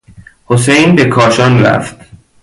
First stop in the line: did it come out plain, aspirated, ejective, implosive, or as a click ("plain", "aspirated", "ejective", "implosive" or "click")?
plain